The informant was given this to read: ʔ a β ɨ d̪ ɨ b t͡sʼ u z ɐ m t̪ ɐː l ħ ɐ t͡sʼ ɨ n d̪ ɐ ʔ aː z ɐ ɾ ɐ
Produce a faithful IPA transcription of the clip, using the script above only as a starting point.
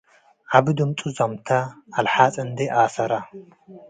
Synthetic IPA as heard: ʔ a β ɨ d̪ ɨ m t͡sʼ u z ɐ m t̪ʰ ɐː l ħ a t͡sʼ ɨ n d̪ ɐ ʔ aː s ɐ ɾ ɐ